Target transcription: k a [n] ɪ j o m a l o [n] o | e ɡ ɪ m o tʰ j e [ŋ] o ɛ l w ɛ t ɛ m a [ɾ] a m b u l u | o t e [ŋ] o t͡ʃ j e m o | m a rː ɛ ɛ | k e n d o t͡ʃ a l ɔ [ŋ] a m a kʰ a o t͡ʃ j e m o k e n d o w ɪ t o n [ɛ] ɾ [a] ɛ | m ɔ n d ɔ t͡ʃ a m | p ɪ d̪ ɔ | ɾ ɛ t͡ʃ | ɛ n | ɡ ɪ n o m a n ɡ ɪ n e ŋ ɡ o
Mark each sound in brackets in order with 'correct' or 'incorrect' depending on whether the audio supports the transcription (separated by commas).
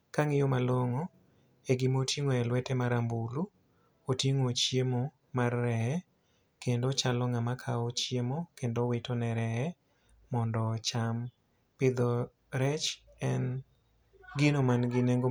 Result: incorrect, incorrect, correct, correct, correct, correct, correct, incorrect